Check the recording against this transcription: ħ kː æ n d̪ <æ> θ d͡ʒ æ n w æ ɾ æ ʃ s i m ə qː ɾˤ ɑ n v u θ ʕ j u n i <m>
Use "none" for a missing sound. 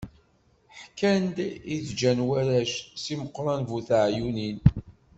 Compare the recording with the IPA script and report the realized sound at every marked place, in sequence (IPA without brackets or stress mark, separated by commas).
i, n